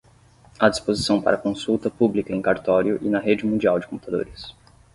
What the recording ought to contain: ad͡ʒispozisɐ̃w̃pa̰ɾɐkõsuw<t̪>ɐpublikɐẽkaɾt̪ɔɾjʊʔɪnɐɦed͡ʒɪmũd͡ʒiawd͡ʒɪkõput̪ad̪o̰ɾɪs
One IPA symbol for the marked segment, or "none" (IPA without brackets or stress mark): t̪